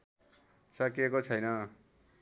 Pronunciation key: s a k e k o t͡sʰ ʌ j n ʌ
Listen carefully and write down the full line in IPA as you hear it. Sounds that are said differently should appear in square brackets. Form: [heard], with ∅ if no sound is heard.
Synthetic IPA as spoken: s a k e k o t͡sʰ ʌ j n ʌ